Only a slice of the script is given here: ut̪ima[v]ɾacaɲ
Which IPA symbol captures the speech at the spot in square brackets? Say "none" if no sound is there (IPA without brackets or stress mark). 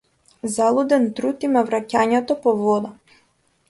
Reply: v